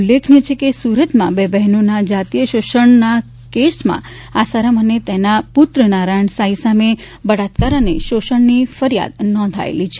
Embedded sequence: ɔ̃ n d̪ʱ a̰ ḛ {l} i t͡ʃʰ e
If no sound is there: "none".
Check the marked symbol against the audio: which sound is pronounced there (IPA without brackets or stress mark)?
l